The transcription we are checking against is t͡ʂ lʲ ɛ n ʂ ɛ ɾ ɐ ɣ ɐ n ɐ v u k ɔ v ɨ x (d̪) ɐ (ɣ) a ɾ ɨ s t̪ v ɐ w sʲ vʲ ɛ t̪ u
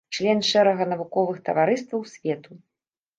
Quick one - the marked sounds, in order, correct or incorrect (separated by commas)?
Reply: incorrect, incorrect